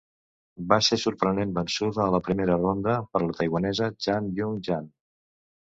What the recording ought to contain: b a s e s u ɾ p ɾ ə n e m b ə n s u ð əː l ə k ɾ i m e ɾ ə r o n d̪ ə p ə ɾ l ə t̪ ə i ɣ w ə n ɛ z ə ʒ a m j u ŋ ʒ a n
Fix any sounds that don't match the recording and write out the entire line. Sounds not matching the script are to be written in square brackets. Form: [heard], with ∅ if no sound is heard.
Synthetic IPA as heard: b a s e s u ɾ p ɾ ə n e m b ə n s u ð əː l ə [p] ɾ i m e ɾ ə r o n d̪ ə p ə ɾ l ə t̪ ə [j] ɣ w ə n ɛ z ə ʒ a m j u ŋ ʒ a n